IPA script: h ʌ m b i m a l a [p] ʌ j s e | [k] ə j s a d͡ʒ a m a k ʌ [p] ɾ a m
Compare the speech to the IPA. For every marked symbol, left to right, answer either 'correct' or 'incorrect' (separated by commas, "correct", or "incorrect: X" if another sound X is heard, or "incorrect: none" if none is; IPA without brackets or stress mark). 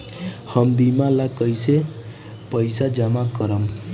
incorrect: k, incorrect: p, incorrect: none